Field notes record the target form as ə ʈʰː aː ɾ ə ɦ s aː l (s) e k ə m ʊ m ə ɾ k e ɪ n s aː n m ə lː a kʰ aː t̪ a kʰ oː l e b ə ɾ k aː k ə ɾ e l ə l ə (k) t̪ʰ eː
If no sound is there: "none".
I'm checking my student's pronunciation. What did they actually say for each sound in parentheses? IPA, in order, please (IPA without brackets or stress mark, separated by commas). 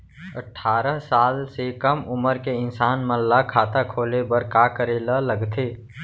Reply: s, ɡ